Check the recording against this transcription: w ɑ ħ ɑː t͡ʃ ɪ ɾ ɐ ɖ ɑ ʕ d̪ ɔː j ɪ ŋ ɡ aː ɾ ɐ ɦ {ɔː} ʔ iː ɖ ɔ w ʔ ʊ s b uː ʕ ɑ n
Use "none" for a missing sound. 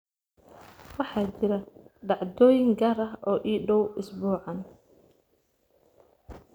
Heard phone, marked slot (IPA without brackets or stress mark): ɔː